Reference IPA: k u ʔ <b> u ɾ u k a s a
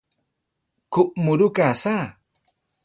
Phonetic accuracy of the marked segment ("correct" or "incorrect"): incorrect